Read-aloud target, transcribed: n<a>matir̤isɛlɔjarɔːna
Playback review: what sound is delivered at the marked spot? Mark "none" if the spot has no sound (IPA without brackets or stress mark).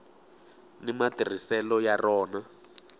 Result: i